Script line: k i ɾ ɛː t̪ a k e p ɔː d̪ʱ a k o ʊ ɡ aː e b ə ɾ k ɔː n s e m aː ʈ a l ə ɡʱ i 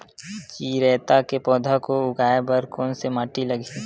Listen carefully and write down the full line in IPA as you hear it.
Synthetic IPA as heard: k i ɾ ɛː t̪ a k e p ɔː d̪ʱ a k o ʊ ɡ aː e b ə ɾ k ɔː n s e m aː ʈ i l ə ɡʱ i